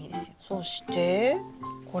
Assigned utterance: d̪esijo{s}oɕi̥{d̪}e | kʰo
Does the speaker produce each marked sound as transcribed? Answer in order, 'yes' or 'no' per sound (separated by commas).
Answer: yes, no